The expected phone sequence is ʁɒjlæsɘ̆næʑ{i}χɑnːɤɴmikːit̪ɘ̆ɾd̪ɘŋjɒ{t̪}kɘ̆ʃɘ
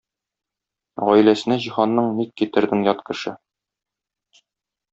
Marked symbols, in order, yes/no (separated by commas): yes, yes